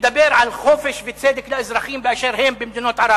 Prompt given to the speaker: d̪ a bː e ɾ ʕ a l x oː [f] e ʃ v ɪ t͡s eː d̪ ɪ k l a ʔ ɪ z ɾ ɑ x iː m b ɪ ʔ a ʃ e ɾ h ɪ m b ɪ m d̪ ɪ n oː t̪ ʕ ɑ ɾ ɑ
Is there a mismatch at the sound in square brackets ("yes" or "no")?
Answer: no